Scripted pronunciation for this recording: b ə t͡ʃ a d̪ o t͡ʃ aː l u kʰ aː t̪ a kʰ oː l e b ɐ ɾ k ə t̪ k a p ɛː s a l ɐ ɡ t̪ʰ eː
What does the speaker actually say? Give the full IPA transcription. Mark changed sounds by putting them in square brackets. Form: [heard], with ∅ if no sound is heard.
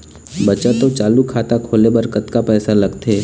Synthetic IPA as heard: b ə t͡ʃ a [t̪] o t͡ʃ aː l u kʰ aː t̪ a kʰ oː l e b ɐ ɾ k ə t̪ k a p ɛː s a l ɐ ɡ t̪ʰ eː

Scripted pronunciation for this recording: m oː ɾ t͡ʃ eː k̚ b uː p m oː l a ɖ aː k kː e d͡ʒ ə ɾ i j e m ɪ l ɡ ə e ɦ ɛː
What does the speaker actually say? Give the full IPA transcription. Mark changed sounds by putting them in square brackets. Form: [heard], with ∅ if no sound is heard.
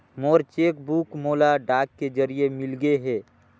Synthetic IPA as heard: m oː ɾ t͡ʃ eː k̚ b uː [k] m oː l a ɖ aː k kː e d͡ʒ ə ɾ i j e m ɪ l ɡ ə e ɦ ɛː

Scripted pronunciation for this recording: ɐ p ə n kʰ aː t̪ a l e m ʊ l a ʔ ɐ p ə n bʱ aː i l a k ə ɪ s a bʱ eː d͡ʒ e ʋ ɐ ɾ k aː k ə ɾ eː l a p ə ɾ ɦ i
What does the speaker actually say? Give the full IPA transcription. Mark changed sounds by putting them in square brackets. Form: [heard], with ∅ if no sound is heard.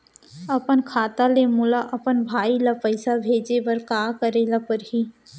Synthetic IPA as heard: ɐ p ə n kʰ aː t̪ a l e m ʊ l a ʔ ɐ p ə n bʱ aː i l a [p] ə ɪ s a bʱ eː d͡ʒ e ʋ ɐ ɾ k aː k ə ɾ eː l a p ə ɾ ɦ i

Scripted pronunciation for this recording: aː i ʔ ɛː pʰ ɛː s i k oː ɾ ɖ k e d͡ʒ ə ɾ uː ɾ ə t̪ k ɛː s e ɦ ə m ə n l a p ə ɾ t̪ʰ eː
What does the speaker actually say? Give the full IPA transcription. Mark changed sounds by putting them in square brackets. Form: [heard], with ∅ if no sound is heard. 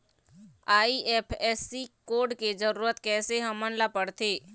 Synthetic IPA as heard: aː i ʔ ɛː pʰ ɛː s i k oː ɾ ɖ k e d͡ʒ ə ɾ uː ɾ ə t̪ k ɛː s e ɦ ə m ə n l a p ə [ɽ] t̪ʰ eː

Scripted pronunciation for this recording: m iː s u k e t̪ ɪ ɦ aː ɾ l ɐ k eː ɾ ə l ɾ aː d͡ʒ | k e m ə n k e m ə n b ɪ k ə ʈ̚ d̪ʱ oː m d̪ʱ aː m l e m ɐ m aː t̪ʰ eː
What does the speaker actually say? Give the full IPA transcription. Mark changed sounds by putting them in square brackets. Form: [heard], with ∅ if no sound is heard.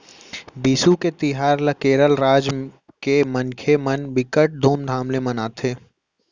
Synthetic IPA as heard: [b] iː s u k e t̪ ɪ ɦ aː ɾ l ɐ k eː ɾ ə l ɾ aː d͡ʒ | k e m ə n [kʰ] e m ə n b ɪ k ə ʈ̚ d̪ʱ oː m d̪ʱ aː m l e m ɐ [n] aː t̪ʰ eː

